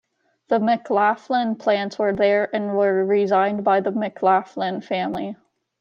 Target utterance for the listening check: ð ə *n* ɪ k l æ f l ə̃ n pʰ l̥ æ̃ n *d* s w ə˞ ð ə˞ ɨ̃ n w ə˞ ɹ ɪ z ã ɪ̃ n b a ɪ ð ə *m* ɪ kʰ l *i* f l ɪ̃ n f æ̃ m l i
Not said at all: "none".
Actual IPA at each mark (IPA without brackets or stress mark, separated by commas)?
m, t, m, æ